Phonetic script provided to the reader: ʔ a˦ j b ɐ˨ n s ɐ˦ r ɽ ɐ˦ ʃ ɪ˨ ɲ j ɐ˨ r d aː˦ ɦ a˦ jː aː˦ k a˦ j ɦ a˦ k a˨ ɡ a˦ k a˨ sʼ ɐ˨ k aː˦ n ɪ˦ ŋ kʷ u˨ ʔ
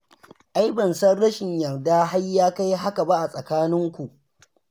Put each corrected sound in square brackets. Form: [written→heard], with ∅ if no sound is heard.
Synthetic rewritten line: ʔ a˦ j b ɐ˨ n s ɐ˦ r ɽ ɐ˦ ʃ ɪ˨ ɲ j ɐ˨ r d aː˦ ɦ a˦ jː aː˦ k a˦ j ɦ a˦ k a˨ [ɡ→b] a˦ [k→ʔ] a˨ sʼ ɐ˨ k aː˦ n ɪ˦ ŋ kʷ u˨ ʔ